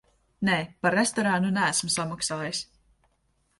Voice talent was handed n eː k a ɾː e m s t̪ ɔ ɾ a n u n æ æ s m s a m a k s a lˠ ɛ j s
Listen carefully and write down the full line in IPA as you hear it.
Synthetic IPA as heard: n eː p a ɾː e s t̪ ɔ ɾ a n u n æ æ s m s a m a k s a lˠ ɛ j s